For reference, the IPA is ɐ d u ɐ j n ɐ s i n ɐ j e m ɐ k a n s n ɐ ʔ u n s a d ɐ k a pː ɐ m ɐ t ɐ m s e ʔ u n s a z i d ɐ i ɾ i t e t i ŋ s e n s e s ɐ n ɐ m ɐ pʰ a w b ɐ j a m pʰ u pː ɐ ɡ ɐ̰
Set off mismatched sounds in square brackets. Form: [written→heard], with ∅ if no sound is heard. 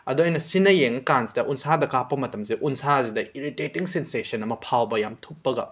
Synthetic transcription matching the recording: ɐ d u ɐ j n ɐ s i n ɐ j e [m→ŋ] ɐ k a n s [n→d] ɐ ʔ u n s a d ɐ k a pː ɐ m ɐ t ɐ m s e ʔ u n s a z i d ɐ i ɾ i t e t i ŋ s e n s e s ɐ n ɐ m ɐ pʰ a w b ɐ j a m [pʰ→tʰ] u pː ɐ ɡ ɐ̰